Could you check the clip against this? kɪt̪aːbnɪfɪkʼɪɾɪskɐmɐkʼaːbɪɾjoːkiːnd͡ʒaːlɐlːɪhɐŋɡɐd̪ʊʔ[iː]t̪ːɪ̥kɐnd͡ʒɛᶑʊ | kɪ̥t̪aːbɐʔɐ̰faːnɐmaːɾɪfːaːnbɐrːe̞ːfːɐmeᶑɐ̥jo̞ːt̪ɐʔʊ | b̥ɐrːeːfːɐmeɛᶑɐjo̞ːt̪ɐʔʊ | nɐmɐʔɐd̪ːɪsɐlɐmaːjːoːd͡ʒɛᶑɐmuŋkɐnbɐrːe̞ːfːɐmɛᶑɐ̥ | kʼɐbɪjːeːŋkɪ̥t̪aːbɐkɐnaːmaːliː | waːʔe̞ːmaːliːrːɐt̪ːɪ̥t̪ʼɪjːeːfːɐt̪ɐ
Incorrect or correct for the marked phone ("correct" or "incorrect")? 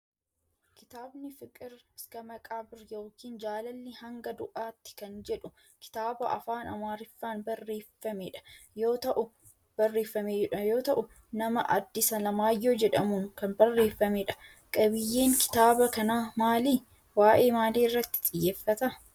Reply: incorrect